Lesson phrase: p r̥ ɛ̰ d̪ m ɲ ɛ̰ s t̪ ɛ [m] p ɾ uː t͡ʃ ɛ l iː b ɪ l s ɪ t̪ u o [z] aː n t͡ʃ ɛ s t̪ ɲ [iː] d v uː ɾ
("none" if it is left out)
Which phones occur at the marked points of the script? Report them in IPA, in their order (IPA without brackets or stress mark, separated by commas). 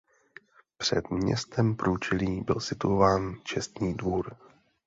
m, v, iː